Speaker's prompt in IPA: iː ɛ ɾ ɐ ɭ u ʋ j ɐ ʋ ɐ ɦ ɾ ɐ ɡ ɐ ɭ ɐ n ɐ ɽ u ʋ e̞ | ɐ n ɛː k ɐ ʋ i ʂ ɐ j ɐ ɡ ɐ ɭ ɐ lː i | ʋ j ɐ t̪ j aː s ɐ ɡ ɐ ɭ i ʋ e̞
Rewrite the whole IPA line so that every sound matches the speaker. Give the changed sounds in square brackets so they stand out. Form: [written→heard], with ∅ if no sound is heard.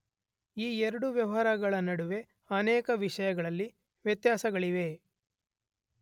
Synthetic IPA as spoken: iː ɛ ɾ ɐ [ɭ→ɽ] u ʋ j ɐ ʋ ɐ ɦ ɾ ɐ ɡ ɐ ɭ ɐ n ɐ ɽ u ʋ e̞ | ɐ n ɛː k ɐ ʋ i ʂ ɐ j ɐ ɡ ɐ ɭ ɐ lː i | ʋ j ɐ t̪ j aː s ɐ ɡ ɐ ɭ i ʋ e̞